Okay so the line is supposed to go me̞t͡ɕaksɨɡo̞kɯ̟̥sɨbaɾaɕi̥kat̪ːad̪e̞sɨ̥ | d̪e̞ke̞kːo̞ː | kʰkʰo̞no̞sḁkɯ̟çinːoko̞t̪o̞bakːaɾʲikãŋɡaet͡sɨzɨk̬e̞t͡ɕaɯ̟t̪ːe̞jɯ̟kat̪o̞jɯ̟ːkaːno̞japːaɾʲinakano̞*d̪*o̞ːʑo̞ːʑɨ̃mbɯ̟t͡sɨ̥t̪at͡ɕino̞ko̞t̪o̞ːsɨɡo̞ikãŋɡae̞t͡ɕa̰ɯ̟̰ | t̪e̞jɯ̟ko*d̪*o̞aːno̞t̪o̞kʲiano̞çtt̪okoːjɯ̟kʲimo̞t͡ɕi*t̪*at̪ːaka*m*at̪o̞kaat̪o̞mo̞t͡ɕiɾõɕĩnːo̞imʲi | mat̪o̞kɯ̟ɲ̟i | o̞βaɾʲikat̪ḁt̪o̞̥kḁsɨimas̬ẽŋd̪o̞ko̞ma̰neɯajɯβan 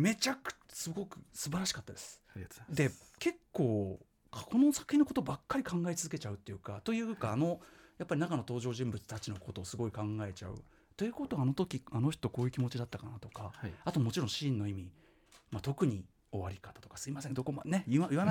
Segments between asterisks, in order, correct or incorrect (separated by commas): incorrect, incorrect, incorrect, incorrect